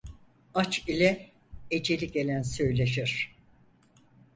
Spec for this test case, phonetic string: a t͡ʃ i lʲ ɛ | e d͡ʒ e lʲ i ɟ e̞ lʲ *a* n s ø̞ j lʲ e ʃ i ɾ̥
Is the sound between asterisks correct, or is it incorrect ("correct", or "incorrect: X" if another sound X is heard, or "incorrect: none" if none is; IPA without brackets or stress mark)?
incorrect: æ